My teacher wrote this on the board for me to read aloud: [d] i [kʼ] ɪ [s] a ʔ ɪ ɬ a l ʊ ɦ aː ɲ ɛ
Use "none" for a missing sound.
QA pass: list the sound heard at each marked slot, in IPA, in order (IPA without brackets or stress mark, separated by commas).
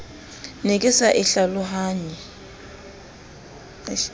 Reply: n, kʼ, s